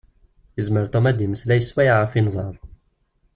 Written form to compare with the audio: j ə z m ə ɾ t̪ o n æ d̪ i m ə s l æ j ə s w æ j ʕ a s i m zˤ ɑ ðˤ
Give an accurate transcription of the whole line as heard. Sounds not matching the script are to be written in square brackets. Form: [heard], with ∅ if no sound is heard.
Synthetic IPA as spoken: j ə z m ə ɾ t̪ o [m] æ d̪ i m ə s l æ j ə s w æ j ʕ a [f] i [n] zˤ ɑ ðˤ